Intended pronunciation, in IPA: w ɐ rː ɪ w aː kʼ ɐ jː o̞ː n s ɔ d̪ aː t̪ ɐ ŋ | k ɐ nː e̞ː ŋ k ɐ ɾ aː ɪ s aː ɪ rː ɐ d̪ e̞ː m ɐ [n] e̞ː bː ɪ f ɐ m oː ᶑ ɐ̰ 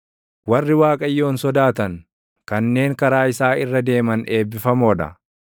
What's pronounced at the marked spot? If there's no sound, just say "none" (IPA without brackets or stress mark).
n